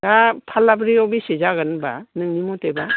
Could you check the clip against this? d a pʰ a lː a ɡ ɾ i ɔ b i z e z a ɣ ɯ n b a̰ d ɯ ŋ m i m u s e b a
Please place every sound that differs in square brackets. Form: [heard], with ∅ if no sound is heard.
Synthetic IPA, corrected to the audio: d a pʰ a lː a [b] ɾ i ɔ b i [s] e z a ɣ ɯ n b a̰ [n] ɯ ŋ [n] i m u [t] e b a